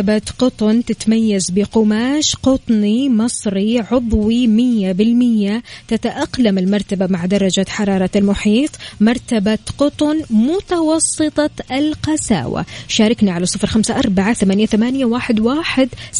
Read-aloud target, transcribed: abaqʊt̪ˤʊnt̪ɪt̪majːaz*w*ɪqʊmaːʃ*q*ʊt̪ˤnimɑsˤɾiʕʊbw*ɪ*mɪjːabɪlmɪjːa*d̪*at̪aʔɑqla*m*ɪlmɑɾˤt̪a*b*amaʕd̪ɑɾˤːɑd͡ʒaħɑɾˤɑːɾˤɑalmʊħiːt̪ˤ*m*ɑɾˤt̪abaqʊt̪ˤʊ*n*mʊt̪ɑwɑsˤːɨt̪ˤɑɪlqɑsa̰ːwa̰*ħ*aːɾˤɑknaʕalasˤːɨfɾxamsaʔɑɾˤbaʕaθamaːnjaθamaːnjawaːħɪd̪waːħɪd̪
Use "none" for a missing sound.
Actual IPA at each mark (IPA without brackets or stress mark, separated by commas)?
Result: b, q, i, t̪, m, b, m, n, ʃ